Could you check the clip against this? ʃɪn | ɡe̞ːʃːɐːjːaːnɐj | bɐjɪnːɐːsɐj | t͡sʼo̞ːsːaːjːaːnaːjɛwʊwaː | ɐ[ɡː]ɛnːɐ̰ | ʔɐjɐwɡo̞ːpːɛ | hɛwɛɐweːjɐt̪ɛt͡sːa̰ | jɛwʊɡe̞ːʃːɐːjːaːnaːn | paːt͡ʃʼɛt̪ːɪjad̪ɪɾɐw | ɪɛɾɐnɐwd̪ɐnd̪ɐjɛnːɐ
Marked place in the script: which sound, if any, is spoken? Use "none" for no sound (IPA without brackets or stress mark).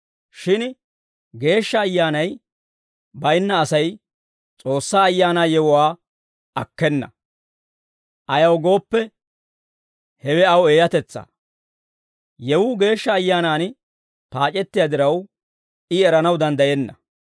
kː